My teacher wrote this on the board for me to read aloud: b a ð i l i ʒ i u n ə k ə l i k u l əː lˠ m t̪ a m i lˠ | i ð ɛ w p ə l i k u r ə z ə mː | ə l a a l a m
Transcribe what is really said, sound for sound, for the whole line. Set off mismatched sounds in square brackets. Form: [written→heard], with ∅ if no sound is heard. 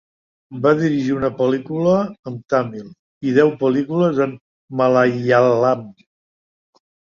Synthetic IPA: b a ð i [l→ɾ] i ʒ i u n ə [k→p] ə l i k u l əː [lˠ→∅] m t̪ a m i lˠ | i ð ɛ w p ə l i k u [r→l] ə z ə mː | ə l a a l a m

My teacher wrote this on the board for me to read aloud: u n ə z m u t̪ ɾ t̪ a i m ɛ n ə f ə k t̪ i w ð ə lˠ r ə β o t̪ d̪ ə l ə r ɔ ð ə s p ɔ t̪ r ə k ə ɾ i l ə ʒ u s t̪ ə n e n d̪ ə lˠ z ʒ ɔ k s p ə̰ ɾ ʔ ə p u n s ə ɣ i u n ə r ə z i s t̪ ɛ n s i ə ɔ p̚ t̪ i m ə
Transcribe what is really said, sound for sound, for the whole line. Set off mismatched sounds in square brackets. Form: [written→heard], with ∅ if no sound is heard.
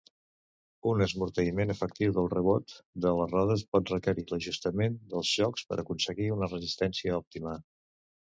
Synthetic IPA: u n ə z m u [t̪→∅] ɾ t̪ [a→ə] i m [ɛ→e] n ə f ə k t̪ i w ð ə lˠ r ə β o t̪ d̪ ə l ə r ɔ ð ə s p ɔ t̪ r ə k ə ɾ i l ə ʒ u s t̪ ə [n→m] e n d̪ ə lˠ z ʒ ɔ k s p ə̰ ɾ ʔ ə [p→k] u n s ə ɣ i u n ə r ə z i s t̪ ɛ n s i ə ɔ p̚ t̪ i m ə

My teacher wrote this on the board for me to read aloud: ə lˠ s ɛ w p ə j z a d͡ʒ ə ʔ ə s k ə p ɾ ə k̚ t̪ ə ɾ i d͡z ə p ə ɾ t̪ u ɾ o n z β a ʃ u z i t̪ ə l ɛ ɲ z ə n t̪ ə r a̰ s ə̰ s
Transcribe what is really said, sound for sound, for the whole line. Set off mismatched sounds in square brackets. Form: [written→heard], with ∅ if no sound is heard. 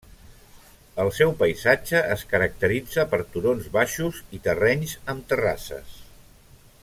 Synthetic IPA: ə lˠ s ɛ w p ə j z a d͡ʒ ə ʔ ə s k ə [p→∅] ɾ ə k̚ t̪ ə ɾ i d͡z ə p ə ɾ t̪ u ɾ o n z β a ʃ u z i t̪ ə [l→r] ɛ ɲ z ə [n→m] t̪ ə r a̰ s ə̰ s

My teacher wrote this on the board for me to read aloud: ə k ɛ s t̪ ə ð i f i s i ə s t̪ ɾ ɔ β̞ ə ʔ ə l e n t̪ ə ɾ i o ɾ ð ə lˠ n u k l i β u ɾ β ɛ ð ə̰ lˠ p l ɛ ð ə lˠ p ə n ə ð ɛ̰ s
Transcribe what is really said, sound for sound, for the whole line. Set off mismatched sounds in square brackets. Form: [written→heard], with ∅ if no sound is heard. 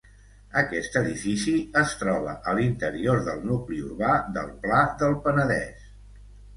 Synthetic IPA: ə k ɛ s t̪ ə ð i f i s i ə s t̪ ɾ ɔ β̞ ə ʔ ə l [e→i] n t̪ ə ɾ i o ɾ ð ə lˠ n u k l i [β→∅] u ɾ β [ɛ→a] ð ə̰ lˠ p l [ɛ→a] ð ə lˠ p ə n ə ð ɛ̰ s

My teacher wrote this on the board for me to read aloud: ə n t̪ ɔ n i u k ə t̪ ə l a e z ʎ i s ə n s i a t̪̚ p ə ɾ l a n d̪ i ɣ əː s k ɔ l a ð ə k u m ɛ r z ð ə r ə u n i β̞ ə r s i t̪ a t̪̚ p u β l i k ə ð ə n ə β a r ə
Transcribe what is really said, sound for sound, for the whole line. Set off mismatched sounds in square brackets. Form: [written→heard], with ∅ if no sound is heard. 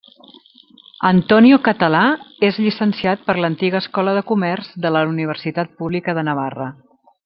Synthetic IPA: ə n t̪ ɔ n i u k ə t̪ ə l a e z ʎ i s ə n s i a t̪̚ p ə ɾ l [a→ə] n [d̪→t̪] i ɣ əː s k ɔ l [a→ə] ð ə k u m ɛ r z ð ə [r→l] ə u n i β̞ ə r s i t̪ a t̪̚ p u β l i k ə ð ə n ə β a r ə

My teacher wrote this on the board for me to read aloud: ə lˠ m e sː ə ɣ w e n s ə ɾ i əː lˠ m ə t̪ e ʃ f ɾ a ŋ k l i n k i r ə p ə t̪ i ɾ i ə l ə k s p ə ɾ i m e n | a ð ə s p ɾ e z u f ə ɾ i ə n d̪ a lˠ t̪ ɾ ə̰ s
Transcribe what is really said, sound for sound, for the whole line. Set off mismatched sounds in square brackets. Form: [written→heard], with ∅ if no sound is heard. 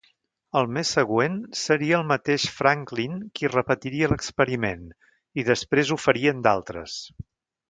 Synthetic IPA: ə lˠ m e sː ə ɣ w e n s ə ɾ i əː lˠ m ə t̪ e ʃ f ɾ a ŋ k l i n k i r ə p ə t̪ i ɾ i ə l ə k s p ə ɾ i m e n | [a→i] ð ə s p ɾ e z u f ə ɾ i ə n d̪ a lˠ t̪ ɾ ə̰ s

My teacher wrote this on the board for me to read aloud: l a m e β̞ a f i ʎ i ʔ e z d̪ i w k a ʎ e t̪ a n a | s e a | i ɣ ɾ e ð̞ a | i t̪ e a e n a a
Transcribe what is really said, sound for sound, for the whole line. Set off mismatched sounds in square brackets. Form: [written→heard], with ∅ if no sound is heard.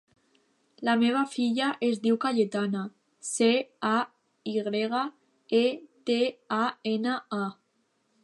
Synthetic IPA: l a m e β̞ a f i ʎ [i→a] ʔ e z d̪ i w k a ʎ e t̪ a n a | s e a | i ɣ ɾ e [ð̞→ɣ̞] a | [i→e] t̪ e a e n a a

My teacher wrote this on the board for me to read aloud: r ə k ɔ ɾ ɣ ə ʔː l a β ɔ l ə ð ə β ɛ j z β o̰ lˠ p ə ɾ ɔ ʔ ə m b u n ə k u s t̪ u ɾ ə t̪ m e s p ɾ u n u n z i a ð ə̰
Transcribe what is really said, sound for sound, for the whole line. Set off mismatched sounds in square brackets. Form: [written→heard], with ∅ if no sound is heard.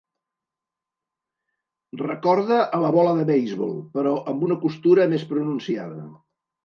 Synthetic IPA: r ə k ɔ ɾ [ɣ→ð] ə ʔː l [a→ə] β ɔ l ə ð ə β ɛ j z β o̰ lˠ p ə ɾ ɔ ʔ ə m b u n ə k u s t̪ u ɾ ə [t̪→∅] m e s p ɾ u n u n [z→s] i a ð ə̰

